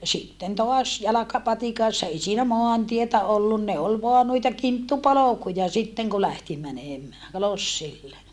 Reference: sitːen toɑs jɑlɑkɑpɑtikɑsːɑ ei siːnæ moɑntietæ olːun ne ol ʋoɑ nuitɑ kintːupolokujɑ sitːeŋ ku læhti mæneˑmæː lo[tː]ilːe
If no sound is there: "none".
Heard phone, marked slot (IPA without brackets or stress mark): sː